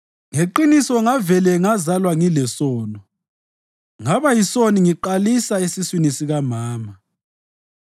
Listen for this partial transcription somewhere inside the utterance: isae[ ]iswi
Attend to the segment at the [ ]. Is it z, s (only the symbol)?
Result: s